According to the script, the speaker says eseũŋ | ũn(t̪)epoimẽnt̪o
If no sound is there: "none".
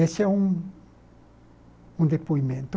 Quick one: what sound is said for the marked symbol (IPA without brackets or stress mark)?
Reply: d̪